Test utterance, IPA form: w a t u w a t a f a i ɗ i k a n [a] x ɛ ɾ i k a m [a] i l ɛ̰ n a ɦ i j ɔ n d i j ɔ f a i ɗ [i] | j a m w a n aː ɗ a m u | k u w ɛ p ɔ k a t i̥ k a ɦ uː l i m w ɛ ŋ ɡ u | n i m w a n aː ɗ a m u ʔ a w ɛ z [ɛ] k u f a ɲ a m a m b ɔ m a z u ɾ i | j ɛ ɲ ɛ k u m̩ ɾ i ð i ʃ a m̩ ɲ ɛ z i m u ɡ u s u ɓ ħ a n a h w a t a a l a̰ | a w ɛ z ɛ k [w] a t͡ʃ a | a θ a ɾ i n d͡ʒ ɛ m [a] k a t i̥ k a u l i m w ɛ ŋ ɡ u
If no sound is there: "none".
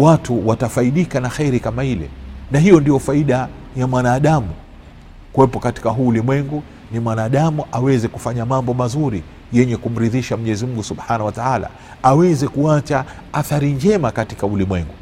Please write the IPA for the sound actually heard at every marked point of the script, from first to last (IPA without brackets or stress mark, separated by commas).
a, a, a, ɛ, u, a